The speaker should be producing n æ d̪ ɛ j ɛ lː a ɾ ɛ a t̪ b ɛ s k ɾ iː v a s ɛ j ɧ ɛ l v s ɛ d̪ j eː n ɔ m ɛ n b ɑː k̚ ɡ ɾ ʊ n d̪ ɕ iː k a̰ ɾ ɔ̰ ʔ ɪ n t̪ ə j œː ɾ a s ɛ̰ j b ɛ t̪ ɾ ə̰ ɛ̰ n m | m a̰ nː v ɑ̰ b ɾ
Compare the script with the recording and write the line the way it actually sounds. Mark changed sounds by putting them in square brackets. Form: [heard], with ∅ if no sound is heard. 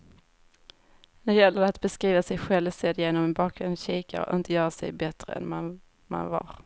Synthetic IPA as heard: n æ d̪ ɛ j ɛ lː [ə] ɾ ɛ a t̪ b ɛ s k ɾ iː v a s ɛ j ɧ ɛ l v s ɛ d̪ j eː n ɔ m ɛ n b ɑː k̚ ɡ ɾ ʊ n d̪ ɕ iː k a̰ ɾ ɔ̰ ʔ ɪ n t̪ ə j œː ɾ a s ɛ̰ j b ɛ t̪ ɾ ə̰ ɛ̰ n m | m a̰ [n] v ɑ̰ [∅] ɾ